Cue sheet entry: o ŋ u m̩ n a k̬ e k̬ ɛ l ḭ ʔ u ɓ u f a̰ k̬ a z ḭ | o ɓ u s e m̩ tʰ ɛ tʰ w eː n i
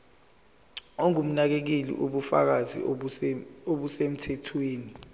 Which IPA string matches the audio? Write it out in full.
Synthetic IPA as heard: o ŋ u m̩ n a k̬ e k̬ i l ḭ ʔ u ɓ u f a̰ k̬ a z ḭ | o ɓ u s e m̩ tʰ ɛ tʰ w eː n i